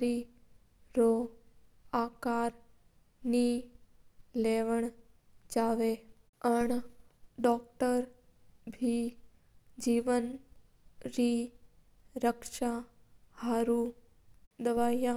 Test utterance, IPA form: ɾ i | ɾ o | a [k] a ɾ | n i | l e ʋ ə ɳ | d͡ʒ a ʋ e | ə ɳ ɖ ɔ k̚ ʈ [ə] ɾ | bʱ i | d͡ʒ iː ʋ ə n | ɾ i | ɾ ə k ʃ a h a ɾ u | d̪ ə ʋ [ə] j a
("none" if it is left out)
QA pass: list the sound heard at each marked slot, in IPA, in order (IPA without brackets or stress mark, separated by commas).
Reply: k, ə, a